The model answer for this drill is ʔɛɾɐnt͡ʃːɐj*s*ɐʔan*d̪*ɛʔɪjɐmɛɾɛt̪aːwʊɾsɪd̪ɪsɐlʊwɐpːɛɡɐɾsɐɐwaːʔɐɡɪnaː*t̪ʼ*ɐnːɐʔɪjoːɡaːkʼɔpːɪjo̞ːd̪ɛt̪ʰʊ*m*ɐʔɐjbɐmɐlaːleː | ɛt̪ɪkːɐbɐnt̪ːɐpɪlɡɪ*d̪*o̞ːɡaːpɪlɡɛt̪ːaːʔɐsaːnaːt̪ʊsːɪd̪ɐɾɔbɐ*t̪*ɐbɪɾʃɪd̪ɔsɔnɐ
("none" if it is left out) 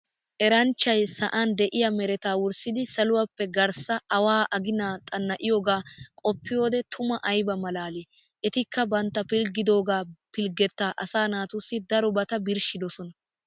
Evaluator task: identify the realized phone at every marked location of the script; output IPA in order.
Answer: s, d̪, t̪ʼ, m, d̪, t̪

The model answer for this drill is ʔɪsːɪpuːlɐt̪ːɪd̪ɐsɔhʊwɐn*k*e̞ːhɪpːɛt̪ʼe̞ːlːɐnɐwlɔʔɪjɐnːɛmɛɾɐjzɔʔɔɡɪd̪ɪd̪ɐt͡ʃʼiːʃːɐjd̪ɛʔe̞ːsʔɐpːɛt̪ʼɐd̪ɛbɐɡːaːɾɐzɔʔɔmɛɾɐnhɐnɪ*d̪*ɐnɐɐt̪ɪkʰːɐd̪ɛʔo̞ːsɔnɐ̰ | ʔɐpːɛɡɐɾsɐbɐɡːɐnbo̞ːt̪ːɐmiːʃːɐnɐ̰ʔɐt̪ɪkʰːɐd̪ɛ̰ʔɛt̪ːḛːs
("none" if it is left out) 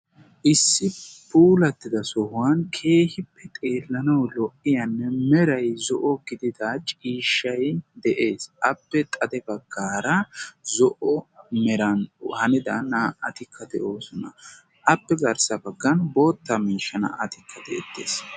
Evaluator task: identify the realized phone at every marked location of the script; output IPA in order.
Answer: kʰ, d̪

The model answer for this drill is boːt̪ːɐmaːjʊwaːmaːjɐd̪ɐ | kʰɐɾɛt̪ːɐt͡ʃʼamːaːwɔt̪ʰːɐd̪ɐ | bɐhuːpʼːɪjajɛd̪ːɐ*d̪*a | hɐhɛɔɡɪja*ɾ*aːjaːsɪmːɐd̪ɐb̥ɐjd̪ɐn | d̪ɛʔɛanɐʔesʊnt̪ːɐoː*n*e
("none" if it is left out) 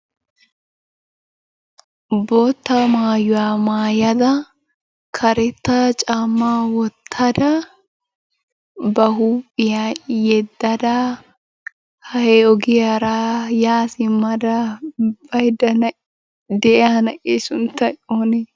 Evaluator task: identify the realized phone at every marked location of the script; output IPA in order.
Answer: d̪, ɾ, n

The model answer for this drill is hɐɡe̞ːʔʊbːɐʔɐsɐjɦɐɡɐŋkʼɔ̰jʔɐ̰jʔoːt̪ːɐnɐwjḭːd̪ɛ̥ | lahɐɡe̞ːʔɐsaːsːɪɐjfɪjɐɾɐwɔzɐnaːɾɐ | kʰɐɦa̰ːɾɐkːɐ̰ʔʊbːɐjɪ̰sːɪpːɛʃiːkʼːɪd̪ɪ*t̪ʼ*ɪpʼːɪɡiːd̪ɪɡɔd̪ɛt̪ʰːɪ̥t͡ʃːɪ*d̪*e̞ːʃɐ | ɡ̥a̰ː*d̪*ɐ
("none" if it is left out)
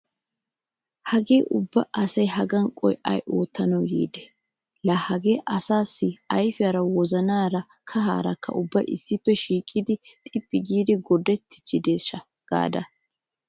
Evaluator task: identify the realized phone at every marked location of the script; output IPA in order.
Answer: t̪ʼ, d̪, d̪

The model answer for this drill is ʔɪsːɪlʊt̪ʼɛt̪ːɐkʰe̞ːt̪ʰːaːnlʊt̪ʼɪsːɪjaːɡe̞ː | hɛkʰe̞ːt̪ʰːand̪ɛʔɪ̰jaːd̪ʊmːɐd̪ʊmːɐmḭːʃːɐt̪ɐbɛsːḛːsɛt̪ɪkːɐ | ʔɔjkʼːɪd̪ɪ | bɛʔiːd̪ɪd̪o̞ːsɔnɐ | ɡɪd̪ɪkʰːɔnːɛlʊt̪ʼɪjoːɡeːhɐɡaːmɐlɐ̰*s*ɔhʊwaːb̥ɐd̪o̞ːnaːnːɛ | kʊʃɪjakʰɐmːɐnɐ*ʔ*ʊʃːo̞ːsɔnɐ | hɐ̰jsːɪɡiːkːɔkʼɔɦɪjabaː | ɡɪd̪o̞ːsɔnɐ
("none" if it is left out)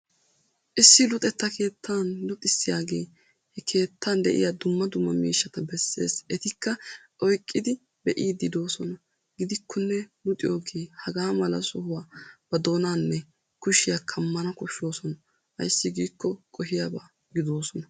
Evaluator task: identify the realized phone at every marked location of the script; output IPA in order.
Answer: s, k

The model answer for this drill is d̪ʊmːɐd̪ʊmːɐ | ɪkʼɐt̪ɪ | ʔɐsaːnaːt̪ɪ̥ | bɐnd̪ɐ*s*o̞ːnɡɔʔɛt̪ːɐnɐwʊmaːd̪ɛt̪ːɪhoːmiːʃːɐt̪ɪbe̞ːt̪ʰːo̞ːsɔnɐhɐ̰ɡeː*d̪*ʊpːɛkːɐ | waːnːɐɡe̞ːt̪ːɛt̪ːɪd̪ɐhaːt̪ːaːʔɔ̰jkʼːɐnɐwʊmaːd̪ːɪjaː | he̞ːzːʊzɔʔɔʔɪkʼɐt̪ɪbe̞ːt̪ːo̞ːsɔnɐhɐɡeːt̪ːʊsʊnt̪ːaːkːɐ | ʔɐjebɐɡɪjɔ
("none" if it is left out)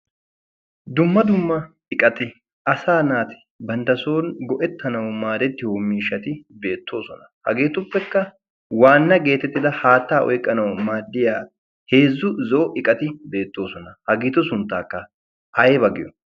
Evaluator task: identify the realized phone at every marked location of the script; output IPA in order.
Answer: s, t̪

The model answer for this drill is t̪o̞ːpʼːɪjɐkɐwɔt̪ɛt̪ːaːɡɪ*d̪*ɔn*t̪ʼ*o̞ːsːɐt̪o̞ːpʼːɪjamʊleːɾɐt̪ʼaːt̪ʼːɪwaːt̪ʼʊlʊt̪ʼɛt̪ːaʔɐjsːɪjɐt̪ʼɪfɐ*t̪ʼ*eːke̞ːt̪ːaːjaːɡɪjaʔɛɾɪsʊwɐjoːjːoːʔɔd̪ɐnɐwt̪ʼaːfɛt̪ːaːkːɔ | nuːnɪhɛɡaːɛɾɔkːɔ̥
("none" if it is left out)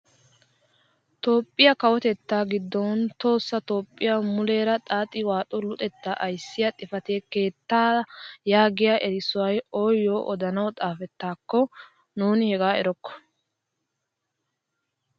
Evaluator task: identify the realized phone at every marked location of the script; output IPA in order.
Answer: d̪ː, t̪, t̪

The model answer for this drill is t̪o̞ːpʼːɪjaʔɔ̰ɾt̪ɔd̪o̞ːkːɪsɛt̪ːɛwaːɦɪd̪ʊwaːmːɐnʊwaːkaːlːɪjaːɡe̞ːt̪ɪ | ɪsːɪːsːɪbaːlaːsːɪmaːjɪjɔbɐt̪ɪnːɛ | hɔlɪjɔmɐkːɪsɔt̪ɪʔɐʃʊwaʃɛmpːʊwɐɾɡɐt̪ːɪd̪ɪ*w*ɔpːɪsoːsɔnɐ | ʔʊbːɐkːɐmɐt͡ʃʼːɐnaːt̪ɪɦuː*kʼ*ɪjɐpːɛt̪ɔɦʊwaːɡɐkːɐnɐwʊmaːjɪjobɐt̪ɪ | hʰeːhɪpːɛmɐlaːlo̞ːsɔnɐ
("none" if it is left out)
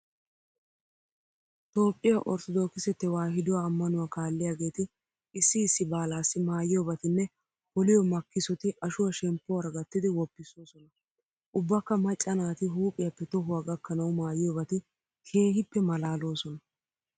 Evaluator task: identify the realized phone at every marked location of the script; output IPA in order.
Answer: w, pʼ

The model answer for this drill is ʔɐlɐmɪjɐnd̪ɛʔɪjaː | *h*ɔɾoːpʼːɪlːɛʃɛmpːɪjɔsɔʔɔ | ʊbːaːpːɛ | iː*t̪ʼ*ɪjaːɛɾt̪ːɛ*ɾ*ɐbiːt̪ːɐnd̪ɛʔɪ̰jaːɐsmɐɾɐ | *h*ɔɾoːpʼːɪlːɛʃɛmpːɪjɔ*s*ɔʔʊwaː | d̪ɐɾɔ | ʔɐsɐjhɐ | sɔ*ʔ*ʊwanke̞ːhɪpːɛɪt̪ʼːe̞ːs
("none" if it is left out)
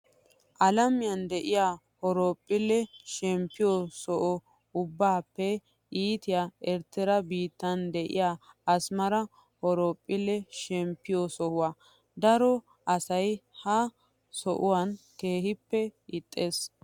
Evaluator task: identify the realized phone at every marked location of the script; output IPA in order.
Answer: h, t̪, ɾ, h, s, ʔ

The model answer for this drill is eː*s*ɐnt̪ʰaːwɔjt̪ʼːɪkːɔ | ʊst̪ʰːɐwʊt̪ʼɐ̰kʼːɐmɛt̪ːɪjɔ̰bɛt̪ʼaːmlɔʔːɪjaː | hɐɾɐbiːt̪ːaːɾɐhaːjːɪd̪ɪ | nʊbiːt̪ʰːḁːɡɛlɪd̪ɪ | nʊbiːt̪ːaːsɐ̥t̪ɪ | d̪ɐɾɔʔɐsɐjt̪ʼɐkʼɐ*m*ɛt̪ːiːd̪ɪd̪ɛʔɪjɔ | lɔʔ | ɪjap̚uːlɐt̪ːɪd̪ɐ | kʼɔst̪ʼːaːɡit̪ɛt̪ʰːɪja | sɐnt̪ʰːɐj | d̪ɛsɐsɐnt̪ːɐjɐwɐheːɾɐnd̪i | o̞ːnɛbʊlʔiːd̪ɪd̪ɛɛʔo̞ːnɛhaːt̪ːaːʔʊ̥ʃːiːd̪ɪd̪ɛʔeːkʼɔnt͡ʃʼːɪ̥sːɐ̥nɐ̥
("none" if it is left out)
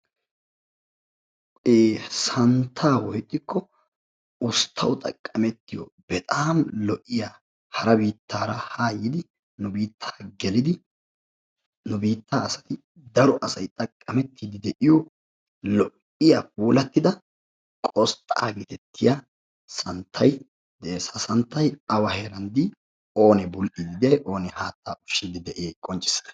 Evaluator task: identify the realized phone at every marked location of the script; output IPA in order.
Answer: s, m

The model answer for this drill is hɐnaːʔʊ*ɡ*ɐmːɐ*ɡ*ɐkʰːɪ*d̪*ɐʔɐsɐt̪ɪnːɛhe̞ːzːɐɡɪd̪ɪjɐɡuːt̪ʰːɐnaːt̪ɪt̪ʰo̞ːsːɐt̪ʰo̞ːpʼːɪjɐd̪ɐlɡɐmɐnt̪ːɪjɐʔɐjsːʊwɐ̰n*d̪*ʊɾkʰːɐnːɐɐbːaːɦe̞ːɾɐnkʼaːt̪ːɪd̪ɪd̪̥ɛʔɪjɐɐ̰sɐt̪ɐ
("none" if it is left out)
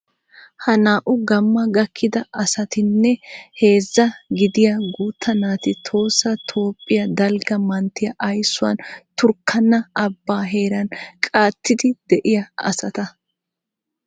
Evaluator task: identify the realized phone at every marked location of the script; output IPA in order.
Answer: ɡ, ɡ, d̪, t̪

